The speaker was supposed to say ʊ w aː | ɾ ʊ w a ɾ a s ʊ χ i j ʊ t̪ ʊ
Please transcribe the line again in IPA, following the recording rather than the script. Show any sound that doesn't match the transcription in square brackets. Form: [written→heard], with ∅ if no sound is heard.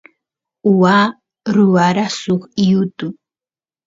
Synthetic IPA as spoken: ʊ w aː | ɾ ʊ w a ɾ a s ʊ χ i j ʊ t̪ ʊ